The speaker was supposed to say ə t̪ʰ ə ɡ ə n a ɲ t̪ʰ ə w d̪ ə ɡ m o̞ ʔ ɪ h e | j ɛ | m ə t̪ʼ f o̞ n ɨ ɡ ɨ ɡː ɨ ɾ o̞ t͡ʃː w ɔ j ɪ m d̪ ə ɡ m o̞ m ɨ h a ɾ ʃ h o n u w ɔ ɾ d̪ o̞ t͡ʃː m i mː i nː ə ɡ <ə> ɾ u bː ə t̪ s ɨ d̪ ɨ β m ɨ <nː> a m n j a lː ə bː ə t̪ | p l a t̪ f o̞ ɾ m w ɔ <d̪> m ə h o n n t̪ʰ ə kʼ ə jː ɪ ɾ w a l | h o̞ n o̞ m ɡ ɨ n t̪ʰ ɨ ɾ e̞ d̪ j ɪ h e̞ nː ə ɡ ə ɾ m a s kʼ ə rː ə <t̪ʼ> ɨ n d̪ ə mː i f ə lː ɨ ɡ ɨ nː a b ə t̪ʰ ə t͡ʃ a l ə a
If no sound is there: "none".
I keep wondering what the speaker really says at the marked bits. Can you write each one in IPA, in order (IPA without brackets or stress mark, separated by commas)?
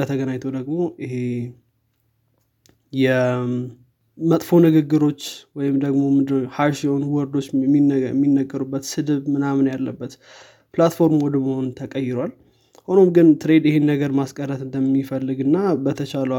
ə, n, d̪, t̪